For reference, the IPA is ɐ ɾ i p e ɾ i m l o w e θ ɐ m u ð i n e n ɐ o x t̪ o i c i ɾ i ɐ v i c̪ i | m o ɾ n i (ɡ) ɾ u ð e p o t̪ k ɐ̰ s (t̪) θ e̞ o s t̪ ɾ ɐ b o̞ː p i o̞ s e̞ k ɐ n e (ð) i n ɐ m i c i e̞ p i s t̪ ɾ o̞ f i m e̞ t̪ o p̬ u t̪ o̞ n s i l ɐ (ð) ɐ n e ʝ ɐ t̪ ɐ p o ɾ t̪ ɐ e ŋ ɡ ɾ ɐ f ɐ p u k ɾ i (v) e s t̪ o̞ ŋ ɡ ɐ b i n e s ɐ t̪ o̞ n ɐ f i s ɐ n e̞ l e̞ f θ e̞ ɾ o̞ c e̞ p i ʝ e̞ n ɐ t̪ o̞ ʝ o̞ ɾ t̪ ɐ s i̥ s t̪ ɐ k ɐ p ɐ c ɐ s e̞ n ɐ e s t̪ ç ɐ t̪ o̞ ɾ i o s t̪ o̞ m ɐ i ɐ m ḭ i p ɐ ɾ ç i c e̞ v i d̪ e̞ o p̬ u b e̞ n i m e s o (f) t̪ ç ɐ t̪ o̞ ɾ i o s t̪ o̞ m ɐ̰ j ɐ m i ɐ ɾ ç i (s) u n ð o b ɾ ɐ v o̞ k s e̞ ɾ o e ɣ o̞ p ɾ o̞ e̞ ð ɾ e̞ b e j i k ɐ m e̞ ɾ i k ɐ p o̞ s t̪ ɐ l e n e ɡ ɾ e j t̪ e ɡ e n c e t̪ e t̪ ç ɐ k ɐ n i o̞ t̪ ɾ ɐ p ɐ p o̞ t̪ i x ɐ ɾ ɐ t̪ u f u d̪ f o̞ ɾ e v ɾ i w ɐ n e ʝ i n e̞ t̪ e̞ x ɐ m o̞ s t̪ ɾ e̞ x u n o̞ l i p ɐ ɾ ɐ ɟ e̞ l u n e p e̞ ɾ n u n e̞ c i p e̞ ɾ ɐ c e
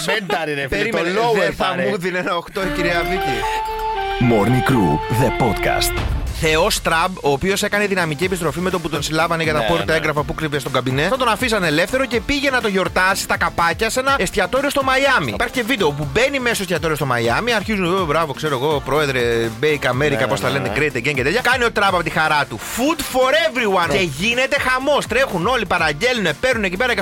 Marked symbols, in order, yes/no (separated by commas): no, yes, yes, no, yes, no, no